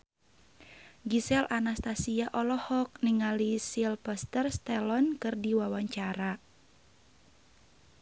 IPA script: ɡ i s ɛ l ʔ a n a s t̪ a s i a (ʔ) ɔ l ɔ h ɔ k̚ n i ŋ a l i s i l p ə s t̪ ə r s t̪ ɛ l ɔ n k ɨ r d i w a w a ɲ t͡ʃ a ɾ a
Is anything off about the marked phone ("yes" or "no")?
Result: no